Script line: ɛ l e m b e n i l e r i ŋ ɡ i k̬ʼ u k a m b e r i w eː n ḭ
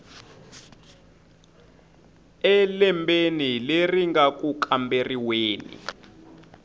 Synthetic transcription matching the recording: ɛ l ɛ m b e n i l e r i ŋ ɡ a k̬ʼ u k a m b e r i w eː n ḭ

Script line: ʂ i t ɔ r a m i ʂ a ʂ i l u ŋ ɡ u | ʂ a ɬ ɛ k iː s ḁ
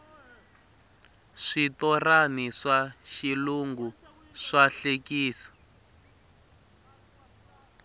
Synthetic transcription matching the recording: ʂ i t ɔ r a n i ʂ a ʃ i l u ŋ ɡ u | ʂ a ɬ e k iː s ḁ

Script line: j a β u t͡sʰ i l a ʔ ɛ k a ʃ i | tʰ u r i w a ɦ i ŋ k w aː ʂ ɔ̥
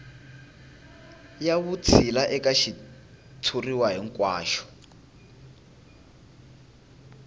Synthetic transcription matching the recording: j a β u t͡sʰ i l a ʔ ɛ k a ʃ i | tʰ u r i w a ɦ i ŋ k w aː ʃ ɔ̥

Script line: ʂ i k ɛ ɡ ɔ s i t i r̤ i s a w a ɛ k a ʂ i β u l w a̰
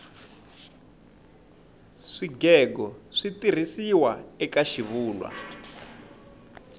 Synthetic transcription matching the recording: ʂ i ɡ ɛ ɡ ɔ ʂ i t i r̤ i s i w a ɛ k a ʃ i β uː l w a̰

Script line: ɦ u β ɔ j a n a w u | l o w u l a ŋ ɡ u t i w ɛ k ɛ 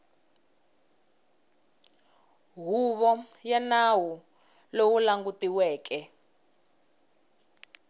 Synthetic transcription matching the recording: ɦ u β ɔ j a n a w u | l o w u l a ŋ ɡ u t i w ɛː k ɛ

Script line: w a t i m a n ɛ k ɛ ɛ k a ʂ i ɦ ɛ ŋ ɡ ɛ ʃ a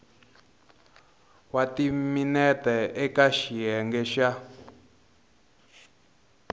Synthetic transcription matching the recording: w a t i m i n ɛ t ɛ ɛ k a ʃ i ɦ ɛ ŋ ɡ ɛ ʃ a

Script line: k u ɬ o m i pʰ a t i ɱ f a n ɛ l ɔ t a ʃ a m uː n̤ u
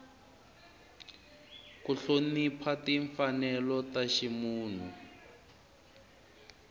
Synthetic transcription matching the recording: k u ɬ o n i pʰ a t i ɱ f a n ɛ l ɔ t a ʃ i m uː n̤ u

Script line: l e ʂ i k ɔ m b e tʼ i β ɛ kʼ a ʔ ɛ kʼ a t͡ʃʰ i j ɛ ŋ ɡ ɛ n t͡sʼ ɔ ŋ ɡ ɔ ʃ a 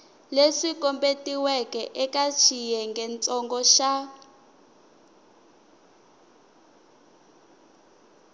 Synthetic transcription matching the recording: l e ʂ i k ɔ m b e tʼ i w ɛ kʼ ɛ ʔ ɛ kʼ a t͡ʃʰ i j ɛ ŋ ɡ ɛ n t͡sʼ ɔ ŋ ɡ ɔ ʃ a

